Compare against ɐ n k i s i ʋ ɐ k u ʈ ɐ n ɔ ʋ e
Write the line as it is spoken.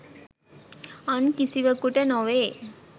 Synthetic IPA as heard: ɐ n k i s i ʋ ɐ k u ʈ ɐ n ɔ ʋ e